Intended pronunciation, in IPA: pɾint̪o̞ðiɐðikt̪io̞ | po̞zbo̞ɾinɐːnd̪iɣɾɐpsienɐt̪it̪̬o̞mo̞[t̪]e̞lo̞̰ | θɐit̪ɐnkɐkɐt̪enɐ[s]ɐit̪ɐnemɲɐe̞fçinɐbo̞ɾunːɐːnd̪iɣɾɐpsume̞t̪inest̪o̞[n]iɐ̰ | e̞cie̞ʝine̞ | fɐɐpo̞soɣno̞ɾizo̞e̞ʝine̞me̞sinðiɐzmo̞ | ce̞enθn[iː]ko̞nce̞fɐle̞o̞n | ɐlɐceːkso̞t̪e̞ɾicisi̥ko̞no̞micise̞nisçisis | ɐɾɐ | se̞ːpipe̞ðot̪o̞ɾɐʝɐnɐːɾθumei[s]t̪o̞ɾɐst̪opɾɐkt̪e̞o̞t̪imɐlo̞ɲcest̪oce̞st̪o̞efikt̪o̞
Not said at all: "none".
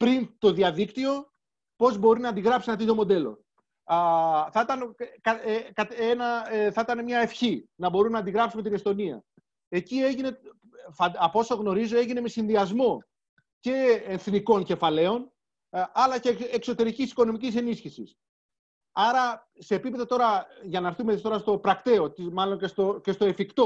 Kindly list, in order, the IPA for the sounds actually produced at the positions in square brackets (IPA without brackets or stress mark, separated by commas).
d̪, θ, n, i, s